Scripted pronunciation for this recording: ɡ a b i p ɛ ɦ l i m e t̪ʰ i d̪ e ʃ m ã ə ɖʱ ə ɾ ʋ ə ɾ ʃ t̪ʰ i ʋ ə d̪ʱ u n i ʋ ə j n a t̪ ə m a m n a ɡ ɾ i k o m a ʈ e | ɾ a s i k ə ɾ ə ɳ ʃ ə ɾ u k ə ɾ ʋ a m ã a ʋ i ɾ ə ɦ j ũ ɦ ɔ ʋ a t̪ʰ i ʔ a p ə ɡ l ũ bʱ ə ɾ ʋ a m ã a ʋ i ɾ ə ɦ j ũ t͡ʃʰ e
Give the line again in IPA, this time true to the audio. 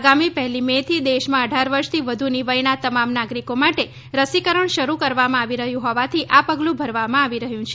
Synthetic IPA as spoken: ɡ a m i p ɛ ɦ l i m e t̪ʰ i d̪ e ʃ m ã ə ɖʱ a ɾ ʋ ə ɾ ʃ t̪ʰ i ʋ ə d̪ʱ u n i ʋ ə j n a t̪ ə m a m n a ɡ ɾ i k o m a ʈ e | ɾ ə s i k ə ɾ ə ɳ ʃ ə ɾ u k ə ɾ ʋ a m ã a ʋ i ɾ ə ɦ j ũ ɦ ɔ ʋ a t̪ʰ i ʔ a p ə ɡ l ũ bʱ ə ɾ ʋ a m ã a ʋ i ɾ ə ɦ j ũ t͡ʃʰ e